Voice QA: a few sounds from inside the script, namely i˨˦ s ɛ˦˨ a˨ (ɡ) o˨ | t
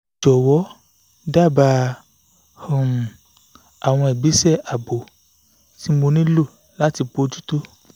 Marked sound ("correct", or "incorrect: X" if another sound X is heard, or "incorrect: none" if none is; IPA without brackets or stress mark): incorrect: b